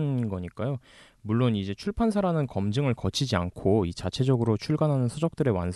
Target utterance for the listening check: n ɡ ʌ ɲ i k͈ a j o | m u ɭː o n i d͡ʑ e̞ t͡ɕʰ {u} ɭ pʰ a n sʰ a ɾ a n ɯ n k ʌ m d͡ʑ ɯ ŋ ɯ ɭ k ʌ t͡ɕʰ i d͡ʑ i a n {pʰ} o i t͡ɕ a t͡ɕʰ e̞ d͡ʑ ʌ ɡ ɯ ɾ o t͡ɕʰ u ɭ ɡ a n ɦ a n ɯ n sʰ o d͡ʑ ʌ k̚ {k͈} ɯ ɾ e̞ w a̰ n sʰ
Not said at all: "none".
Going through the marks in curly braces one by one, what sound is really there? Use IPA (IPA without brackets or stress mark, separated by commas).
u, kʰ, t͈